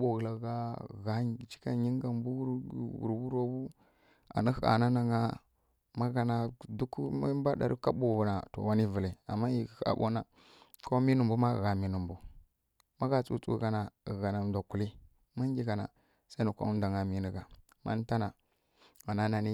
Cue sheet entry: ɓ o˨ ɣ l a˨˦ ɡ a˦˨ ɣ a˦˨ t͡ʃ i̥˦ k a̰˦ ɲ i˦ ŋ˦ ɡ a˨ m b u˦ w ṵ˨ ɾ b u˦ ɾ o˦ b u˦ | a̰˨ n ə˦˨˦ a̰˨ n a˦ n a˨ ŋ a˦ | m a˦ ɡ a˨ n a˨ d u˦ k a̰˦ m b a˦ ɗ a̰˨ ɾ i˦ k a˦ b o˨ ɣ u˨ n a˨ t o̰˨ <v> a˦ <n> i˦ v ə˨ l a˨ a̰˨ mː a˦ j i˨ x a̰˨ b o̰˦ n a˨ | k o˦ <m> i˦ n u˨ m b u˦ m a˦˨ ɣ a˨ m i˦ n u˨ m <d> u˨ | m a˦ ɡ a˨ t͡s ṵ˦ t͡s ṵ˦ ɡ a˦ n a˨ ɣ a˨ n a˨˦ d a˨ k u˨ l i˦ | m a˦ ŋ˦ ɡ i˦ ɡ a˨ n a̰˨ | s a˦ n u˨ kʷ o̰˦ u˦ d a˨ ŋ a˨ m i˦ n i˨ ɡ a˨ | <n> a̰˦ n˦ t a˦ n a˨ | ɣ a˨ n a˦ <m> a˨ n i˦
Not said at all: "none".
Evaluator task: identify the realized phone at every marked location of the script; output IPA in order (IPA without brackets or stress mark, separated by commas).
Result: w, n, m, b, m, n